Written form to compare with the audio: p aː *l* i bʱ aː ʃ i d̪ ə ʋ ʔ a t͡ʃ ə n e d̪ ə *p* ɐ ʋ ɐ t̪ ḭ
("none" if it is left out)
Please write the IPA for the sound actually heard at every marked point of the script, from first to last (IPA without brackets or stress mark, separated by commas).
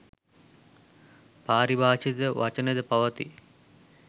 ɾ, p